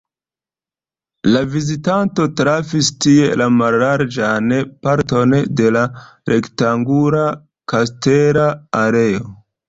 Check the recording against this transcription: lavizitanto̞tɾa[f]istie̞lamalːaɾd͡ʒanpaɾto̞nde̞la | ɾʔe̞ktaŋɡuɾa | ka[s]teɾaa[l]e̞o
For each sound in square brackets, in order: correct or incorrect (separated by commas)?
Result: correct, correct, incorrect